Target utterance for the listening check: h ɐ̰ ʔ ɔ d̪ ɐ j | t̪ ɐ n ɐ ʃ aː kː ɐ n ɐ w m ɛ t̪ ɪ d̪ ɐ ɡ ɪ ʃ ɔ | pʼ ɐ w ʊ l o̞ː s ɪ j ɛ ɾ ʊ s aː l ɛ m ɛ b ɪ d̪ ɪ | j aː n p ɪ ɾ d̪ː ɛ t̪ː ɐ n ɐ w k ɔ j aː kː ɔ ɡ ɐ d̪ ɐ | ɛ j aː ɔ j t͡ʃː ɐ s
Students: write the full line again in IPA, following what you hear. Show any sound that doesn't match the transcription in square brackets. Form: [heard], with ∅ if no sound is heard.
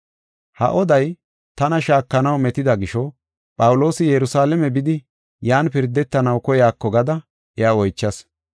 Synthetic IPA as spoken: h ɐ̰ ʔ ɔ d̪ ɐ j | t̪ ɐ n ɐ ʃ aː kː ɐ n ɐ w m ɛ t̪ ɪ d̪ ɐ ɡ ɪ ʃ ɔ | pʼ ɐ w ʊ l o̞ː s ɪ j ɛ ɾ ʊ s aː l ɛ m ɛ b ɪ d̪ ɪ | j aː n p ɪ ɾ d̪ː ɛ t̪ː ɐ n ɐ w k ɔ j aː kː ɔ ɡ ɐ d̪ ɐ | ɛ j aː ɔ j t͡ʃː ɐ s